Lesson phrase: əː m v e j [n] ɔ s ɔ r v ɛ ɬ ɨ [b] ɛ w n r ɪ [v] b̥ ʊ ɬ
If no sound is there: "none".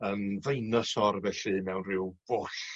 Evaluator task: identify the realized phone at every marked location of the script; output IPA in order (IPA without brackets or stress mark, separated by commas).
n, m, w